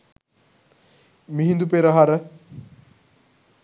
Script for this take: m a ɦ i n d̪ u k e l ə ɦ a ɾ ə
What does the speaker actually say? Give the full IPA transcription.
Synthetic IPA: m i ɦ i n d̪ u p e ɾ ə ɦ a ɾ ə